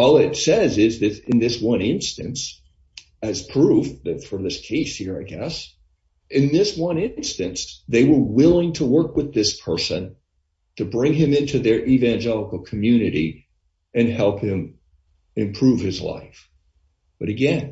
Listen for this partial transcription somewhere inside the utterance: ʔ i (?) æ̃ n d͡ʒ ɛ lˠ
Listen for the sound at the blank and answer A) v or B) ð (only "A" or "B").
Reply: A